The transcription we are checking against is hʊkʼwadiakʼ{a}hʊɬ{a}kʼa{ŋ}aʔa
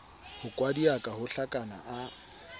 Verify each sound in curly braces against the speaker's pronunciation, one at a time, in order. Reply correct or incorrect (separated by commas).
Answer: correct, correct, incorrect